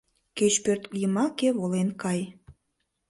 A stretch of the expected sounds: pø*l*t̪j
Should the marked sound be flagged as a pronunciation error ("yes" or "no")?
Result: yes